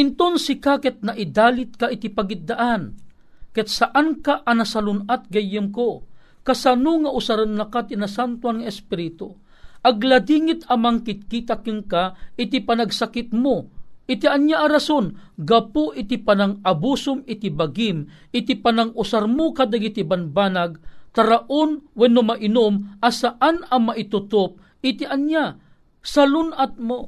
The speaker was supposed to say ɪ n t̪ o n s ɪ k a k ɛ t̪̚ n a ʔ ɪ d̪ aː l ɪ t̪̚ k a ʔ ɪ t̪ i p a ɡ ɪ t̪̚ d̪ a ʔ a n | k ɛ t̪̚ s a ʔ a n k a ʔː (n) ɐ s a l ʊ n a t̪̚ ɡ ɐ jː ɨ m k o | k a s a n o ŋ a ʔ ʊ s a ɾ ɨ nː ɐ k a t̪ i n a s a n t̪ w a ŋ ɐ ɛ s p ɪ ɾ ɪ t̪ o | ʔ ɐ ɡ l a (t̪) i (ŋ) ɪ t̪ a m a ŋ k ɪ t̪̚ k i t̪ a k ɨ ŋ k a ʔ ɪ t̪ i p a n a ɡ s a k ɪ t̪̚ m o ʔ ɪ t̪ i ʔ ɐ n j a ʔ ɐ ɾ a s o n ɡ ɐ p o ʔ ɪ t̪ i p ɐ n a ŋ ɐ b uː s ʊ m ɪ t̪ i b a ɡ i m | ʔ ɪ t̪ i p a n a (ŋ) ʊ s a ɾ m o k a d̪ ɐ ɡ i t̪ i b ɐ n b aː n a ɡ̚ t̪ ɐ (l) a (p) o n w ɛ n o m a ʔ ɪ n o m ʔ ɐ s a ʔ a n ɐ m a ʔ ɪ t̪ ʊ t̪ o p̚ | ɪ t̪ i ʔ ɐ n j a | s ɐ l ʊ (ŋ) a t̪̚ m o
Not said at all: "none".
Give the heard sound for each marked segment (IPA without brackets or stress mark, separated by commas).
n, d̪, ŋ, ŋ, ɾ, ʔ, n